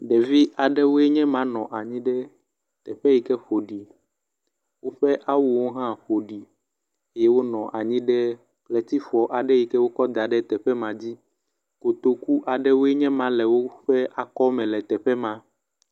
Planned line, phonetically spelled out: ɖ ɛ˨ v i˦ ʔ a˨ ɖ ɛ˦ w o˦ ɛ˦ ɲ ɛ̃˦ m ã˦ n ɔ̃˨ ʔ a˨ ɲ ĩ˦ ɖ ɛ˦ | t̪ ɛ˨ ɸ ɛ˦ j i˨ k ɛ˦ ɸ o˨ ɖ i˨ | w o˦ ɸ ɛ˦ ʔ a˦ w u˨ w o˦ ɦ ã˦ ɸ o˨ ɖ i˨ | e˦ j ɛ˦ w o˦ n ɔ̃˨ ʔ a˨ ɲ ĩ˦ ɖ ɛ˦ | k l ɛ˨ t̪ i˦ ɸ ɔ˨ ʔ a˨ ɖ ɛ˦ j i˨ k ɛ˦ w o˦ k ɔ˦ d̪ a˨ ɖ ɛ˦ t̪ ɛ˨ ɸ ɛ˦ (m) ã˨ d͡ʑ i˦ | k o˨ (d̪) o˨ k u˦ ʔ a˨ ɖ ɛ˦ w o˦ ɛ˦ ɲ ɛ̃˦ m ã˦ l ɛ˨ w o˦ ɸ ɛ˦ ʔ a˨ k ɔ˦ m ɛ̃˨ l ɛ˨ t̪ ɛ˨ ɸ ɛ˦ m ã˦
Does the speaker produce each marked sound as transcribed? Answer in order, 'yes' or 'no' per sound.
yes, no

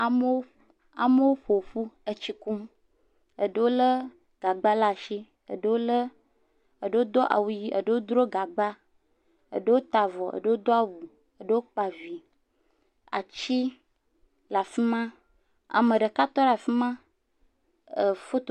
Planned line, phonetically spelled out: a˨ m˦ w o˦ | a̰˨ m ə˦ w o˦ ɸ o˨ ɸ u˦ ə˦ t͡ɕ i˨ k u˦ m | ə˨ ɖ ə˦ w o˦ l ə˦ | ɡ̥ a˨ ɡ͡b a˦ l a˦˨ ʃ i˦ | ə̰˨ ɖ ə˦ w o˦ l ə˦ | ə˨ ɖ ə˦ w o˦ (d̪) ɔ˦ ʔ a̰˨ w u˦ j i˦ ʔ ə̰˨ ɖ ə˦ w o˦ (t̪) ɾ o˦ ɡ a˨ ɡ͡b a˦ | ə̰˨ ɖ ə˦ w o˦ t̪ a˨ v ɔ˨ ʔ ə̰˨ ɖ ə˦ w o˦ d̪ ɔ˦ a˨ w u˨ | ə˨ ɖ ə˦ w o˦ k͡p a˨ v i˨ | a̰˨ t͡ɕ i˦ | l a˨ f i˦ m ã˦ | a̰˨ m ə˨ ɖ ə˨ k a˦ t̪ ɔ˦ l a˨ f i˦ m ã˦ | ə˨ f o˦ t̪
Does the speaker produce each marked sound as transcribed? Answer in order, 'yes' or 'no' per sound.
yes, no

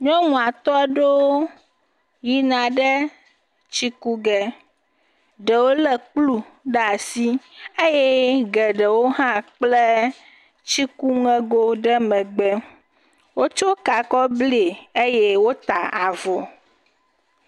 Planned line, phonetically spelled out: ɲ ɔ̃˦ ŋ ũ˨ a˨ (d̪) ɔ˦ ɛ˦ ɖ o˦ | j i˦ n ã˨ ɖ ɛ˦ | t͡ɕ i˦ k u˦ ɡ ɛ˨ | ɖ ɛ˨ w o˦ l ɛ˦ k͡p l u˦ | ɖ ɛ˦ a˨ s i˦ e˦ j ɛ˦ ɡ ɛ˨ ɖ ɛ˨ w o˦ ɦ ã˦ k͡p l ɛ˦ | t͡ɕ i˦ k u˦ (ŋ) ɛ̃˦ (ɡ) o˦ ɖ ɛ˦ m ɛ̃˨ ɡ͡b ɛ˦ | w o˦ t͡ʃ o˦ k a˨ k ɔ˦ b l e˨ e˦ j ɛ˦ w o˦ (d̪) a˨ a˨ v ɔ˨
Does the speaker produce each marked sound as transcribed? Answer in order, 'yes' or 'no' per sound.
no, yes, yes, no

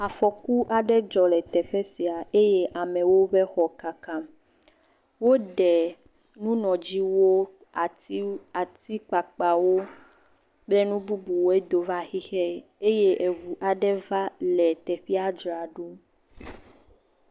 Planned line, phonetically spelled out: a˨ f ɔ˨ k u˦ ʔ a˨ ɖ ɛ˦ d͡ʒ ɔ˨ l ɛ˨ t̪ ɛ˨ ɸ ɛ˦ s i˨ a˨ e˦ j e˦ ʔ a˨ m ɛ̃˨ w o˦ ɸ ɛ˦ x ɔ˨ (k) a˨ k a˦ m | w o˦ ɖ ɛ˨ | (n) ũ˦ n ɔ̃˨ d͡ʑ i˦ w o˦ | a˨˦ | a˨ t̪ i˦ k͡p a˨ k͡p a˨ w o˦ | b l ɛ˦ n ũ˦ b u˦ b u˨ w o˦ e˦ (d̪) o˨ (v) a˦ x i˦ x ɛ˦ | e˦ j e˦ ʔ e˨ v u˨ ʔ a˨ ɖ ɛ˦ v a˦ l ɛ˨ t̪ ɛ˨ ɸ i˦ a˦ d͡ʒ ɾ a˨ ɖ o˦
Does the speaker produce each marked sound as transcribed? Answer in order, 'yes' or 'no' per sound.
yes, yes, yes, yes

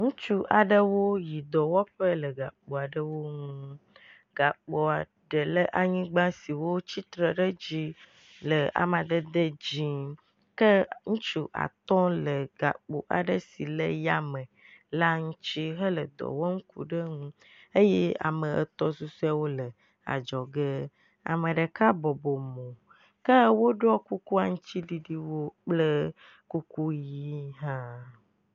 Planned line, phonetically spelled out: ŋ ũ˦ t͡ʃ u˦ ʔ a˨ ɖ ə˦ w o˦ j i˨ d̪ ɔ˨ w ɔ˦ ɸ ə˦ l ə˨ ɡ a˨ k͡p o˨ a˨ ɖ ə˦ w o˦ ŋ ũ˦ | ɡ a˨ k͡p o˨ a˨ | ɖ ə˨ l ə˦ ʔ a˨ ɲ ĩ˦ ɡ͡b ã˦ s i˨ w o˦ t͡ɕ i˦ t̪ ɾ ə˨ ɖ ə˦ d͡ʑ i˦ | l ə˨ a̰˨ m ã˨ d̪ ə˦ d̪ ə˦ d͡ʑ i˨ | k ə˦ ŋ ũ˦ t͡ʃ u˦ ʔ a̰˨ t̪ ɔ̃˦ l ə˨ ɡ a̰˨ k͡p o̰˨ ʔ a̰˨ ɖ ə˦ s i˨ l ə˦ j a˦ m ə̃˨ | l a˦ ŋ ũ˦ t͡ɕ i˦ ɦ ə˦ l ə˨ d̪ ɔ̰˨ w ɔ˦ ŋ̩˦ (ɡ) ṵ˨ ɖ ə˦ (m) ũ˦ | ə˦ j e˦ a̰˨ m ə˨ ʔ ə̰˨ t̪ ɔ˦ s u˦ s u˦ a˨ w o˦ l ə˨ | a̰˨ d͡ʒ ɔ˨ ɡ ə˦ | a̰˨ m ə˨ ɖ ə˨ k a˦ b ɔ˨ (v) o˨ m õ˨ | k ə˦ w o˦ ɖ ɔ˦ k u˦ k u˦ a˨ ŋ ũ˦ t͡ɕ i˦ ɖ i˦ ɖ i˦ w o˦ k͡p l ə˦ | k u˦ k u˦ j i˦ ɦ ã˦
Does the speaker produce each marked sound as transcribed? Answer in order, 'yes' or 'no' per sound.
no, no, no

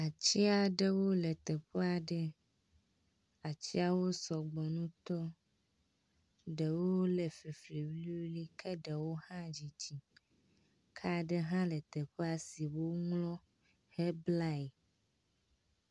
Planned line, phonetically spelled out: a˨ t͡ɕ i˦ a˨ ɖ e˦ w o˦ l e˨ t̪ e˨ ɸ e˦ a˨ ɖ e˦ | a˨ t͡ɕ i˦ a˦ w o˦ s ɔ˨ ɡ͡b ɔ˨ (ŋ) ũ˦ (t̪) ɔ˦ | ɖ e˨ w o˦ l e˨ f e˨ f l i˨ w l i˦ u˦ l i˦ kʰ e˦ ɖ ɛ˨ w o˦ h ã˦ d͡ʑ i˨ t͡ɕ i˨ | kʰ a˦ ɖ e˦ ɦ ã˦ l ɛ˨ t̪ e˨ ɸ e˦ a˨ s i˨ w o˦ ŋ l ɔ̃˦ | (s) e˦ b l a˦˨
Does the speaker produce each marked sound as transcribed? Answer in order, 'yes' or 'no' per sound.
no, yes, no

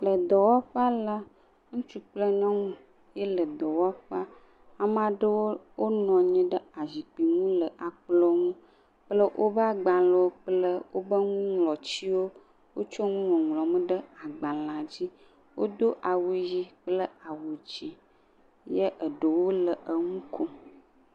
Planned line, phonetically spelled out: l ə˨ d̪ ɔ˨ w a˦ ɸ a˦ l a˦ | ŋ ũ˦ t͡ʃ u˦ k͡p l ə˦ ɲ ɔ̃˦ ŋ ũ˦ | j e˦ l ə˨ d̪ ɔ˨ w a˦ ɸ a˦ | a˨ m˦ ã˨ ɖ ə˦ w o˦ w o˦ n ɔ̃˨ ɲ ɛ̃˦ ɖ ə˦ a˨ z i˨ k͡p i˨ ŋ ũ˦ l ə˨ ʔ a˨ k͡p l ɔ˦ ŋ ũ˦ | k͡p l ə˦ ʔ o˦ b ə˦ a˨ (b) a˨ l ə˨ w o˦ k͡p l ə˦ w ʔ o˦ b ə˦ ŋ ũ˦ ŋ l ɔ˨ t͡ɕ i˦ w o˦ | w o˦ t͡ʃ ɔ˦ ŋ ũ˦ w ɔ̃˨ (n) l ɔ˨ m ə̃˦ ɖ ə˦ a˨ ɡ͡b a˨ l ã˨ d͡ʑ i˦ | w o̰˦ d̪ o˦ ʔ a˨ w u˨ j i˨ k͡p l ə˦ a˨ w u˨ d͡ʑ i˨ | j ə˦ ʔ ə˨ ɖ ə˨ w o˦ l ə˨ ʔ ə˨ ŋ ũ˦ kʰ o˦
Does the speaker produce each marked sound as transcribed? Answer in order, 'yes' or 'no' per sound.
no, no

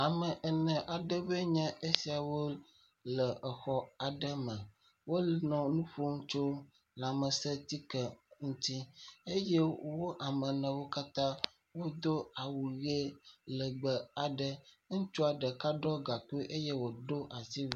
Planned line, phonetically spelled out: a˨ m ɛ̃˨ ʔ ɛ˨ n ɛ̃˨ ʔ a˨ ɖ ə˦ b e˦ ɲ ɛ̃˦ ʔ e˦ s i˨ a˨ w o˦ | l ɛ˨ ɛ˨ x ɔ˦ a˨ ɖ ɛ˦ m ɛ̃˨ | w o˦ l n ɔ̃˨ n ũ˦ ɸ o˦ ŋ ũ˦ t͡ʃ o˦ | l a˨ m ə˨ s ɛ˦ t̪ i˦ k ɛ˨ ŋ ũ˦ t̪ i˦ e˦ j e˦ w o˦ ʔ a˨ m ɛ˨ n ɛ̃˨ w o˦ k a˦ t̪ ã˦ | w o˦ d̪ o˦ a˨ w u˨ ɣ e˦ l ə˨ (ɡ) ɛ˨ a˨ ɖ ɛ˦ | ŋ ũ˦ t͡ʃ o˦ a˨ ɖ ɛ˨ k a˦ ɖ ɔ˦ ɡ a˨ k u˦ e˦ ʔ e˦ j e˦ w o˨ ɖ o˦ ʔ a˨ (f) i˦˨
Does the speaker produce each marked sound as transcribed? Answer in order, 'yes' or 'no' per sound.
no, no

